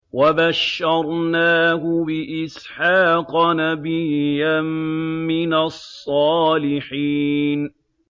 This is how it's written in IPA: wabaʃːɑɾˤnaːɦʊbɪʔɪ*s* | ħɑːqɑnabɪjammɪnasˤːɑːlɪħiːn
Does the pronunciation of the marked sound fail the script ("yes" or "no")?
no